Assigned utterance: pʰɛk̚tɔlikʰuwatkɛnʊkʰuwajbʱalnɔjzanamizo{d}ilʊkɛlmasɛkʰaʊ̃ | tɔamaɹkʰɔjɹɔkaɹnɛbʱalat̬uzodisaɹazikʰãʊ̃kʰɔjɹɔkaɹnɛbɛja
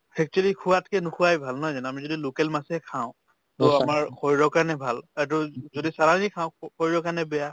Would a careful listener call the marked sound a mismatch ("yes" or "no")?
no